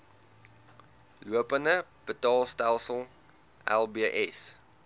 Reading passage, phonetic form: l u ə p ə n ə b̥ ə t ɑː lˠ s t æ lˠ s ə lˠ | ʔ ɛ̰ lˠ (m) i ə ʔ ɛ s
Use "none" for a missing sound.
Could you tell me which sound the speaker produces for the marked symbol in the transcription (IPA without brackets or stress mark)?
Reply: b